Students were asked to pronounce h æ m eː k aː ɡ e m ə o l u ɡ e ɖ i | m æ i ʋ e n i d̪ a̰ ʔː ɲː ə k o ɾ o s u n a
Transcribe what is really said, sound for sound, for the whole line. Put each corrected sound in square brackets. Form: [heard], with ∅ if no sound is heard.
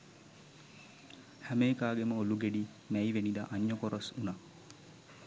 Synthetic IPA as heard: h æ m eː k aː ɡ e m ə o l u ɡ e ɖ i | m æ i ʋ e n i d̪ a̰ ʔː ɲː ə k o ɾ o s u n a